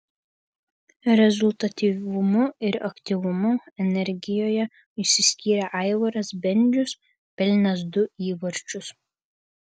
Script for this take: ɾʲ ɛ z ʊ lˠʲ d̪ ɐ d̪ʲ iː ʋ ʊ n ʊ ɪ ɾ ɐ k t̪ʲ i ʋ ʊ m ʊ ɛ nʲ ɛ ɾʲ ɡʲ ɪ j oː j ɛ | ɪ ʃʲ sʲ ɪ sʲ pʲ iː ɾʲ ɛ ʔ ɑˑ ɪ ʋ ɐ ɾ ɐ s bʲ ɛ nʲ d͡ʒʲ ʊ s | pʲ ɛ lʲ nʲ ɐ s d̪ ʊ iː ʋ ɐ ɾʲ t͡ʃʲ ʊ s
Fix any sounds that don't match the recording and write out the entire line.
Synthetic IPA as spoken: ɾʲ ɛ z ʊ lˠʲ t̪ ɐ t̪ʲ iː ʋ ʊ m ʊ ɪ ɾ ɐ k t̪ʲ i ʋ ʊ m ʊ ɛ nʲ ɛ ɾʲ ɡʲ ɪ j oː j ɛ | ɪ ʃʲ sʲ ɪ sʲ kʲ iː ɾʲ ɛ ʔ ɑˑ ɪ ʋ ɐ ɾ ɐ s bʲ ɛ nʲ d͡ʒʲ ʊ s | pʲ ɛ lʲ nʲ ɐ s d̪ ʊ iː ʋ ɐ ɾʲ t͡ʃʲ ʊ s